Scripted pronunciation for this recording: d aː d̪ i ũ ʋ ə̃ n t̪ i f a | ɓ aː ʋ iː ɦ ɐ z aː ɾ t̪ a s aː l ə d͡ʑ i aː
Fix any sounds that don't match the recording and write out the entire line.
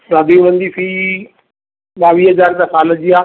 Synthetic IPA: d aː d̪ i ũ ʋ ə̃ n d̪ i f i | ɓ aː ʋ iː ɦ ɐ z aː ɾ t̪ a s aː l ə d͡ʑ i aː